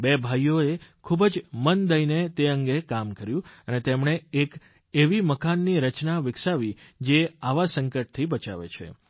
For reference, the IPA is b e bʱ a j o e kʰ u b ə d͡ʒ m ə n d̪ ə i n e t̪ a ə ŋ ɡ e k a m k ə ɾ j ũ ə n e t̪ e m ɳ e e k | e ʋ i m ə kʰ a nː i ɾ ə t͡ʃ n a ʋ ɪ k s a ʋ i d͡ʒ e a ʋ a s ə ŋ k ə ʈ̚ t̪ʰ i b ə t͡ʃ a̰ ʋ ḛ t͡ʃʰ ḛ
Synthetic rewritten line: b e bʱ a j o e kʰ u b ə d͡ʒ m ə n d̪ ə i n e t̪ e ə ŋ ɡ e k a m k ə ɾ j ũ ə n e t̪ e m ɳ e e k | e ʋ i m ə k a nː i ɾ ə t͡ʃ n a ʋ ɪ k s a ʋ i d͡ʒ e a ʋ a s ə ŋ k ə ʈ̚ t̪ʰ i b ə t͡ʃ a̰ ʋ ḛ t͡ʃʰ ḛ